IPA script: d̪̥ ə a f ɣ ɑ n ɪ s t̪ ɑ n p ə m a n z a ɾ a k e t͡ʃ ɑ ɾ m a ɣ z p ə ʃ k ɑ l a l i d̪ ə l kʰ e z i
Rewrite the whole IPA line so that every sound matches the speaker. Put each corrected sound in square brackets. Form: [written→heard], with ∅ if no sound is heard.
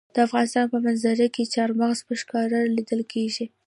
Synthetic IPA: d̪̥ ə a f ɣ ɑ n ɪ s t̪ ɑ n p ə m a n z a ɾ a k e t͡ʃ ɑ ɾ m a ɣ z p ə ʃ k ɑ [l→ɾ] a l i d̪ ə l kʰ e [z→ʒ] i